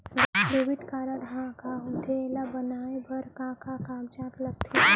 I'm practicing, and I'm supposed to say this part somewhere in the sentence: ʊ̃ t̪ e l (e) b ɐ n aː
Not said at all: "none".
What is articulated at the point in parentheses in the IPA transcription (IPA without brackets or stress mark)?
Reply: a